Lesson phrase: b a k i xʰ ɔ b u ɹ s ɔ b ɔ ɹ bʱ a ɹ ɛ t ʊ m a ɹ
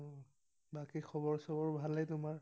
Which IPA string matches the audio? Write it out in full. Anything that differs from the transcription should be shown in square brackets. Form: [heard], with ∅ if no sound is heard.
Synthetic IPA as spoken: b a k i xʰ ɔ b [ɔ] ɹ s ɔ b ɔ ɹ bʱ a [l] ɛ t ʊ m a ɹ